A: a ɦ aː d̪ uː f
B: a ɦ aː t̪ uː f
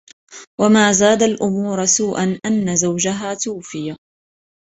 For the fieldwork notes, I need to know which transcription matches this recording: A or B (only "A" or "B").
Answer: B